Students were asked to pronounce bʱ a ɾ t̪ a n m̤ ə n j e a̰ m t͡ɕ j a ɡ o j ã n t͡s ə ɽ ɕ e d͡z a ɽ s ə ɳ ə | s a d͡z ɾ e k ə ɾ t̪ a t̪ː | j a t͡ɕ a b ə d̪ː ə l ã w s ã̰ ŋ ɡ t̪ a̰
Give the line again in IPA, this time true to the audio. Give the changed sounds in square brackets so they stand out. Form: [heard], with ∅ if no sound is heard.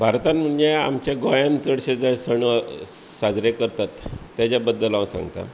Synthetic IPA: bʱ a ɾ t̪ a n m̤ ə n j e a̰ m t͡ɕ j a ɡ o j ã n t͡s ə ɽ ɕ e d͡z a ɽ s ə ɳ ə | s a d͡z ɾ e k ə ɾ t̪ a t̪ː | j a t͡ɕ a b ə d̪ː ə l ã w s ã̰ ŋ ɡ t̪ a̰